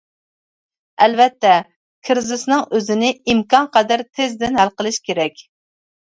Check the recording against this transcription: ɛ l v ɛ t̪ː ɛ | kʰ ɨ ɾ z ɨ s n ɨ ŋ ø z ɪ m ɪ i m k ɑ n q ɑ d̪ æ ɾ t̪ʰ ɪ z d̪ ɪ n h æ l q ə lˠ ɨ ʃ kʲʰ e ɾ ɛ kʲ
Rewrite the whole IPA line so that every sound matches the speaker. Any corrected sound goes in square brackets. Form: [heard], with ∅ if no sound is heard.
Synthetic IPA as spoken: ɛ l v ɛ t̪ː ɛ | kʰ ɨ ɾ z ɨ s n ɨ ŋ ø z ɪ [n] ɪ i m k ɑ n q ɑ d̪ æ ɾ t̪ʰ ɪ z d̪ ɪ n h æ l q ə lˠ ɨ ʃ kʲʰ e ɾ ɛ kʲ